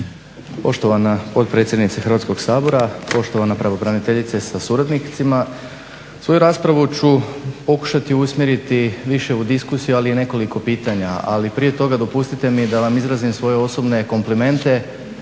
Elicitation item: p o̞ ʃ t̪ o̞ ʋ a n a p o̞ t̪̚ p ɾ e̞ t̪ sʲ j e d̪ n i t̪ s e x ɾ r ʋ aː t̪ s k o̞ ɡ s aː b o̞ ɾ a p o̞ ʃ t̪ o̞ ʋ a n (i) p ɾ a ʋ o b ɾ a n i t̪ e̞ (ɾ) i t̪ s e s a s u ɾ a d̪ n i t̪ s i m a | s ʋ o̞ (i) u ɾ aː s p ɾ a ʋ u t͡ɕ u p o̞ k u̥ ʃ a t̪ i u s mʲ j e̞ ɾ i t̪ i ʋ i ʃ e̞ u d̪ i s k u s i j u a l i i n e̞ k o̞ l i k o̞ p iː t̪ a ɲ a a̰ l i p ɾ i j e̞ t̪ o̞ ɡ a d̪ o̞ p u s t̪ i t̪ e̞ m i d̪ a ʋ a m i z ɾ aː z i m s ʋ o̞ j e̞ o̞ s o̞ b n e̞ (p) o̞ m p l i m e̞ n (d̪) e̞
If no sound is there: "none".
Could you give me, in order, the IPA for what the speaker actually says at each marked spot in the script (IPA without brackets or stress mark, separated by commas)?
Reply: a, ʎ, j, k, t̪